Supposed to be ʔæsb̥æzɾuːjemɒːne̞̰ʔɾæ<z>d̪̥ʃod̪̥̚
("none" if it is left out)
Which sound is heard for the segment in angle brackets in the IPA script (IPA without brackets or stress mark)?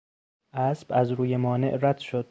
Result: none